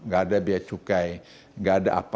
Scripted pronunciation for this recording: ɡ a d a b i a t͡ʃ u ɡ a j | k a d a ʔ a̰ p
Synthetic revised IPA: ɡ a d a b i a t͡ʃ u k a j | ɡ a d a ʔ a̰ p